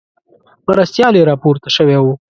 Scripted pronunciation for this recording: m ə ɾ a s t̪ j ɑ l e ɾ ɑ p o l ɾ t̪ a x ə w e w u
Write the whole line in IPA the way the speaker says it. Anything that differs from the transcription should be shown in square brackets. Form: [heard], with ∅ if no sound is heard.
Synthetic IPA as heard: m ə ɾ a s t̪ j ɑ l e ɾ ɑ p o [∅] ɾ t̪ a [ʃ] ə w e w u